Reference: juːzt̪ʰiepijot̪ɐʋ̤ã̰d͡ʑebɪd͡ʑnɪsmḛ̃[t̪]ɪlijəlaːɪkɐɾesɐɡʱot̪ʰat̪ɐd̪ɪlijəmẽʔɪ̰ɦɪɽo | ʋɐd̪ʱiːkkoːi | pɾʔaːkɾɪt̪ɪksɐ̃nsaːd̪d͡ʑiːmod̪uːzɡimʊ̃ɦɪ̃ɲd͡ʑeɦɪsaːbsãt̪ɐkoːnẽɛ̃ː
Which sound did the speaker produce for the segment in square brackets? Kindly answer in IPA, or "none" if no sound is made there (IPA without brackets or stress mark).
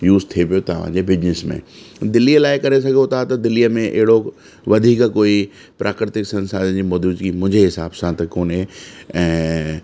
d̪